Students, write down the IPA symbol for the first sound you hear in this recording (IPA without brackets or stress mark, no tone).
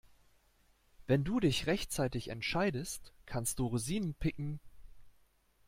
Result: v